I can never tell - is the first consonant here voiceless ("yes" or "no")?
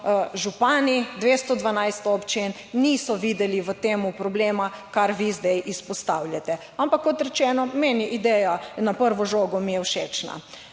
no